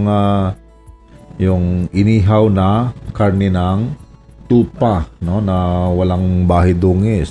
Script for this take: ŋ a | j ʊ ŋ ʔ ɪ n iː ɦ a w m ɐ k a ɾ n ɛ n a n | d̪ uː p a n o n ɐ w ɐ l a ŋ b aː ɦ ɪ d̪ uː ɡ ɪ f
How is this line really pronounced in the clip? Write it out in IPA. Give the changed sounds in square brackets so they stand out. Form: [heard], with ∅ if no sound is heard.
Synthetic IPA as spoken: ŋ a | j ʊ ŋ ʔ ɪ n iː ɦ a w [n] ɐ k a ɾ n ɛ n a [ŋ] | [t̪] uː p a n o n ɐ w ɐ l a ŋ b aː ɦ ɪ d̪ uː [ŋ] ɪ [s]